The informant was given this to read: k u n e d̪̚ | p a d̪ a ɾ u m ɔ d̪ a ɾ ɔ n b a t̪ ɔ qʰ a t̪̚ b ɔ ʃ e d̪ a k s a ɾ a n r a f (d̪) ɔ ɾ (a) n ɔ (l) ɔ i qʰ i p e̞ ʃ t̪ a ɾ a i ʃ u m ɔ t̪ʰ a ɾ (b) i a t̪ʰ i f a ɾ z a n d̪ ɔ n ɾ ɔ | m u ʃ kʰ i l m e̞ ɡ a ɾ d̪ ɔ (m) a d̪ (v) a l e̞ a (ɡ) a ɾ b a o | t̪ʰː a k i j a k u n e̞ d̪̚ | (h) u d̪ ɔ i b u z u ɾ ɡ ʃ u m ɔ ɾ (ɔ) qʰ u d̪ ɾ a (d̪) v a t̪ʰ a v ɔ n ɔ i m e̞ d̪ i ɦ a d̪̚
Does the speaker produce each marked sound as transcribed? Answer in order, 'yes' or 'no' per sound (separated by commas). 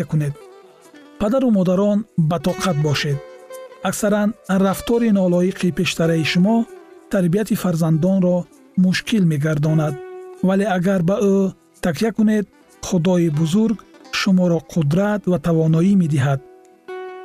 no, no, yes, yes, no, yes, yes, no, yes, no